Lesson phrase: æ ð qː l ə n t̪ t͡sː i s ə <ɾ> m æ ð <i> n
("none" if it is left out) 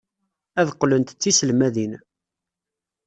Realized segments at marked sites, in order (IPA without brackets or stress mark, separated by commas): l, i